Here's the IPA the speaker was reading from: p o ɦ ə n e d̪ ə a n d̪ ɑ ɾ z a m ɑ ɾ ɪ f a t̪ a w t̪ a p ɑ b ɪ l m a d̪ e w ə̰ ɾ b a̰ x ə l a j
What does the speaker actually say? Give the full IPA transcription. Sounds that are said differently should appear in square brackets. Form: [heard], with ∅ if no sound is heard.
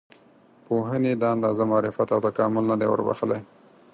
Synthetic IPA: p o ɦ ə n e d̪ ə a n d̪ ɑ [∅] z a m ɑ ɾ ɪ f a t̪ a w t̪ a [k] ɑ [m] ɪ l [n] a d̪ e w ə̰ ɾ b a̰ x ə l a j